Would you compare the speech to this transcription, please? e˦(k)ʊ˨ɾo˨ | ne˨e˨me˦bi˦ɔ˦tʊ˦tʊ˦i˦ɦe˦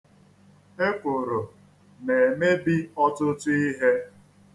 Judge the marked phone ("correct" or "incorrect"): correct